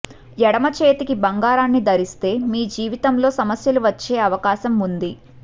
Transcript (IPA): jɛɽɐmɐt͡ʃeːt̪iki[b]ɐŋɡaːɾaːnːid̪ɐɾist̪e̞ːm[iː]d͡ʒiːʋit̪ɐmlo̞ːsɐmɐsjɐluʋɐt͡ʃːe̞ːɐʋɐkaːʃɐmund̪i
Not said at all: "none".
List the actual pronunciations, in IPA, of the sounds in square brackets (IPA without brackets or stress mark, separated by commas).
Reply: b, iː